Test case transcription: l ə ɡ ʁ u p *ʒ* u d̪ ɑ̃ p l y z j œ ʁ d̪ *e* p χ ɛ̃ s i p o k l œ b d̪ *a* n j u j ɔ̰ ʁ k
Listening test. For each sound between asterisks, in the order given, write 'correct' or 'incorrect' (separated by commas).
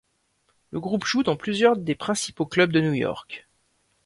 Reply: correct, correct, incorrect